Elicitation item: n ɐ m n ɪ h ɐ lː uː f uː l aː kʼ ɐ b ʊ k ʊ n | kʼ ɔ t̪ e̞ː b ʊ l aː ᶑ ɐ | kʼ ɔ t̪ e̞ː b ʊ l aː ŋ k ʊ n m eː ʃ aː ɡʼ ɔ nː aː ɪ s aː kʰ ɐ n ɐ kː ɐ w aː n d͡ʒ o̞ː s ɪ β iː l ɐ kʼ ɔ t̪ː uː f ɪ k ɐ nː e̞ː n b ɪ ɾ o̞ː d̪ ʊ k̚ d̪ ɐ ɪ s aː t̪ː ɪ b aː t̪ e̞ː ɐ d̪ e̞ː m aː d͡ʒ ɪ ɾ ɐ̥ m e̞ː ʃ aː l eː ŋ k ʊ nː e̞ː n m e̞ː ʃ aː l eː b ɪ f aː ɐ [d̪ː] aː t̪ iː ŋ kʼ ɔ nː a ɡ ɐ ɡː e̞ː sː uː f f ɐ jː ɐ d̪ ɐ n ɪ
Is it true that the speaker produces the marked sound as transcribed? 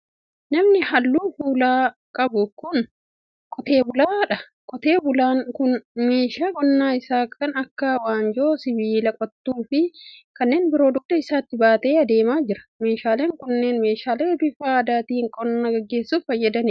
no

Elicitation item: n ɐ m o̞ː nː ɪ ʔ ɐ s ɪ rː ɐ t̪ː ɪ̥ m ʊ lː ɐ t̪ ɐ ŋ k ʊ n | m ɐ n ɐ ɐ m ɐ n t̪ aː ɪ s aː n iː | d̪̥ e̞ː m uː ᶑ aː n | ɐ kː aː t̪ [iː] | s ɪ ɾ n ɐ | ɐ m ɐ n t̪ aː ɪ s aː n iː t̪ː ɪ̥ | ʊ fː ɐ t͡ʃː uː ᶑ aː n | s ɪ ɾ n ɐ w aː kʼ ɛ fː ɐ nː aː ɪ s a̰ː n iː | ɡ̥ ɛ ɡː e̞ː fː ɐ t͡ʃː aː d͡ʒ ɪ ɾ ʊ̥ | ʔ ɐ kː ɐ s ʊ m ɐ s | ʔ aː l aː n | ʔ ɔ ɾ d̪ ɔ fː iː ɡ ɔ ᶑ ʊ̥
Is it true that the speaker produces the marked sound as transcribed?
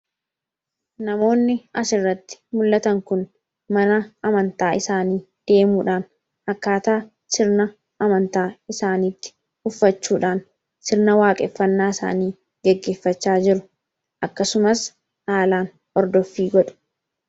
no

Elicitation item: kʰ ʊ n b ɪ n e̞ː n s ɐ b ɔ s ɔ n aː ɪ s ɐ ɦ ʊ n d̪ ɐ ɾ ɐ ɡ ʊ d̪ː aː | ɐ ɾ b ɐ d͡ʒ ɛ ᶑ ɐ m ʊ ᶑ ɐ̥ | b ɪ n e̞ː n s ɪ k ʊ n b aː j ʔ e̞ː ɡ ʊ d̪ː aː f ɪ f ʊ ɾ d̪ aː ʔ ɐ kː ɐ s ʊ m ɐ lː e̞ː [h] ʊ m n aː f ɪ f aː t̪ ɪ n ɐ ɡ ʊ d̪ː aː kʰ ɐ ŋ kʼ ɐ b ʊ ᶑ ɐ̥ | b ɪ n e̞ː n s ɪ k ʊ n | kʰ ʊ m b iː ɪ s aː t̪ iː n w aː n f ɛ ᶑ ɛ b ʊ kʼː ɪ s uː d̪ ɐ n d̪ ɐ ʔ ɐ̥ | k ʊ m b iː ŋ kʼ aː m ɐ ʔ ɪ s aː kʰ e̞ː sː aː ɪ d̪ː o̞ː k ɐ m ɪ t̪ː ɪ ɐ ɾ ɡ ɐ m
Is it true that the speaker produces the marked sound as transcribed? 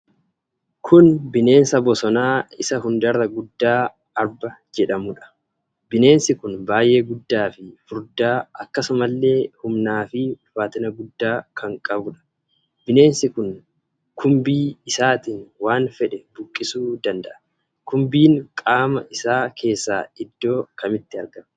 yes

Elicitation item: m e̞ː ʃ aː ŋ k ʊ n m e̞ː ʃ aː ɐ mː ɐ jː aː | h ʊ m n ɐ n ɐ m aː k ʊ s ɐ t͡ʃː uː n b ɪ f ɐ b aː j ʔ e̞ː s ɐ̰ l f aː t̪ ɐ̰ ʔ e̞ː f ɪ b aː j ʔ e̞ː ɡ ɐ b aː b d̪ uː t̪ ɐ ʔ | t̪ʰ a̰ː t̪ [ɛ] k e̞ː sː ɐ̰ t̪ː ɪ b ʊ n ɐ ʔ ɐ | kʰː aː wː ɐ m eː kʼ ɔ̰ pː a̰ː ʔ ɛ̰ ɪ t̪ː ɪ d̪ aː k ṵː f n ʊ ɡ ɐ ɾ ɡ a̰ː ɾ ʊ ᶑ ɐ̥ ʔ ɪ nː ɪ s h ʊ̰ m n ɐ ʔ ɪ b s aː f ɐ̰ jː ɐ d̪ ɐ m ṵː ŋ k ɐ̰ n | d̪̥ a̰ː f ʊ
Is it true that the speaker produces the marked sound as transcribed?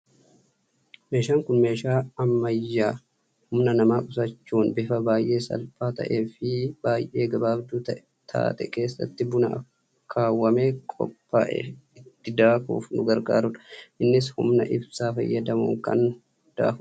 yes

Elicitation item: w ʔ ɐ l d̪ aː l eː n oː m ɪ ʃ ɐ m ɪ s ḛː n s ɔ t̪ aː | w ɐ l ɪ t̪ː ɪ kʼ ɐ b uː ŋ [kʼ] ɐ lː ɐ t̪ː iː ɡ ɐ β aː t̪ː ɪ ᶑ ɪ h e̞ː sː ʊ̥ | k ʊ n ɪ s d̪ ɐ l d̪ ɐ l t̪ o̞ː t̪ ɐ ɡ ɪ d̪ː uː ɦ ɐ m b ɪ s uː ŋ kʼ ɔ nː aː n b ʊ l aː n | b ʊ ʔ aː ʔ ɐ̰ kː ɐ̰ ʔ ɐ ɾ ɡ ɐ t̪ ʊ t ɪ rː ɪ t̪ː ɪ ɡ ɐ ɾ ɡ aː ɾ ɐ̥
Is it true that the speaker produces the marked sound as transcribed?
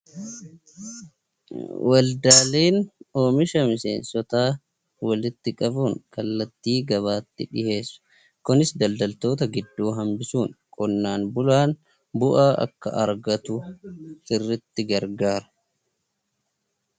no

